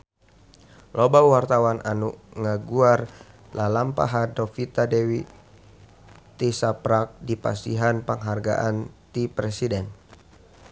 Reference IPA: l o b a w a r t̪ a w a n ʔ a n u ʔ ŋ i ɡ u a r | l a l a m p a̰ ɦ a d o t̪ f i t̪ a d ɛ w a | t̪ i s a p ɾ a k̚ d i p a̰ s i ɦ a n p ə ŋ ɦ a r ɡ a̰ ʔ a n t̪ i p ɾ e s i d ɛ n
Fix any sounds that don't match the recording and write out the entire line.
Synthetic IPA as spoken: l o b a w a r t̪ a w a n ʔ a n u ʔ ŋ a ɡ u a r | l a l a m p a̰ ɦ a d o f i t̪ a d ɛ w i | t̪ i s a p ɾ a k̚ d i p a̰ s i ɦ a n p ə ŋ ɦ a r ɡ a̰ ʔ a n t̪ i p ɾ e s i d ɛ n

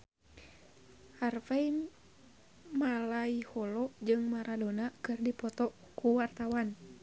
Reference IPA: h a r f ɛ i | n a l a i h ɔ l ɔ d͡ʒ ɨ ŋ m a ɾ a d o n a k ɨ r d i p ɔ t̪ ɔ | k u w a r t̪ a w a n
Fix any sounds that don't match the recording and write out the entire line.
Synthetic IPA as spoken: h a r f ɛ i | m a l a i h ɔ l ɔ d͡ʒ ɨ ŋ m a ɾ a d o n a k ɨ r d i p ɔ t̪ ɔ | k u w a r t̪ a w a n

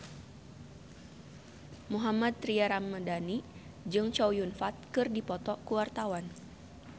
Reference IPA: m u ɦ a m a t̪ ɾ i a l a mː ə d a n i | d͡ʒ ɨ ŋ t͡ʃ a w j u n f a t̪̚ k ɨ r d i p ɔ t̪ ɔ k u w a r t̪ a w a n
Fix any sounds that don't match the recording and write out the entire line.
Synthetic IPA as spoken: m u ɦ a m a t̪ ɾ i a ɾ a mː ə d a n i | d͡ʒ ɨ ŋ t͡ʃ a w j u n f a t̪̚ k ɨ r d i p ɔ t̪ ɔ k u w a r t̪ a w a n

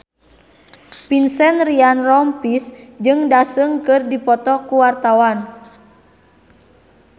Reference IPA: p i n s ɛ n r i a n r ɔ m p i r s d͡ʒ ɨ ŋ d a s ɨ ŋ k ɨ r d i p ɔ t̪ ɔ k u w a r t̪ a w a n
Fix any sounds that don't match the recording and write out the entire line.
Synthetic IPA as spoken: p i n s ɛ n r i a n r ɔ m p i s d͡ʒ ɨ ŋ d a s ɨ ŋ k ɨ r d i p ɔ t̪ ɔ k u w a r t̪ a w a n

